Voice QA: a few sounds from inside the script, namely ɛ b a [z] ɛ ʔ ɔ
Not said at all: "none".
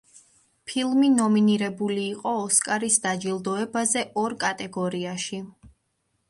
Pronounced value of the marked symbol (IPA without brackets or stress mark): z